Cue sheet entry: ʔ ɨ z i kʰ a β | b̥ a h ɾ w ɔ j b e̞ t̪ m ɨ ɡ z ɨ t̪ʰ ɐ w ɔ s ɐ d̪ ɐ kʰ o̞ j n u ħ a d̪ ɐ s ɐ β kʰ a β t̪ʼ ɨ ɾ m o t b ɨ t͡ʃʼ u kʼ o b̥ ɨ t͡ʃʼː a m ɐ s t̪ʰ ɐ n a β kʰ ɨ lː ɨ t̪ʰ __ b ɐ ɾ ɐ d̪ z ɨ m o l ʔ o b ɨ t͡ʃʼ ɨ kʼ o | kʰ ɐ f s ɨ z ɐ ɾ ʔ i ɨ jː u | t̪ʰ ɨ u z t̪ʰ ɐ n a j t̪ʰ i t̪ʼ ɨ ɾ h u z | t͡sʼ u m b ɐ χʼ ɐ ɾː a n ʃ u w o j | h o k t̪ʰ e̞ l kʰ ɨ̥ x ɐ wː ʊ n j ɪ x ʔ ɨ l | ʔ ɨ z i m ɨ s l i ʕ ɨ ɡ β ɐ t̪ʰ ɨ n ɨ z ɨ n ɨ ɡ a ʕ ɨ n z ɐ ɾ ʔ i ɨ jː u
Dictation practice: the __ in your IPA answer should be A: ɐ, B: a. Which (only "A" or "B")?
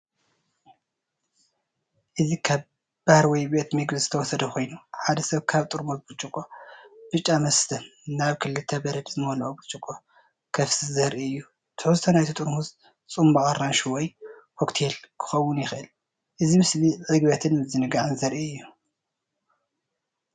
A